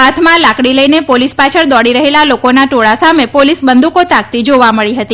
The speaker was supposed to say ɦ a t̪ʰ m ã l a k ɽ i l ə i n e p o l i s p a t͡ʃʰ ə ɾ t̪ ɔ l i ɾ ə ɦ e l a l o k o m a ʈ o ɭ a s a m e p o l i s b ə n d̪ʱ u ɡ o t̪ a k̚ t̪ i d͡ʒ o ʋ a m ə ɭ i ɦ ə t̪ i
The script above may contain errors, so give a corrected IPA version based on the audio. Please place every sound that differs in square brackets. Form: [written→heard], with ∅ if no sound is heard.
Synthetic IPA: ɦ a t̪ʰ m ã l a k ɽ i l ə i n e p o l i s p a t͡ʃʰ ə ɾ [t̪→d̪] ɔ [l→ɽ] i ɾ ə ɦ e l a l o k o [m→n] a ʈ o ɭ a s a m e p o l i s b ə n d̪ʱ u [ɡ→k] o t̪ a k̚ t̪ i d͡ʒ o ʋ a m ə ɭ i ɦ ə t̪ i